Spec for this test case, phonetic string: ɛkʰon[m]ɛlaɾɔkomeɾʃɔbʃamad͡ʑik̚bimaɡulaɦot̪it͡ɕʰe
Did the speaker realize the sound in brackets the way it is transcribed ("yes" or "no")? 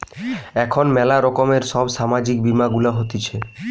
yes